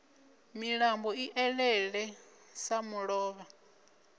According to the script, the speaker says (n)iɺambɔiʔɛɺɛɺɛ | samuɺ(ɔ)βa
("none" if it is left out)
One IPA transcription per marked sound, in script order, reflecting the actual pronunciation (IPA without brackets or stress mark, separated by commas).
m, ɔː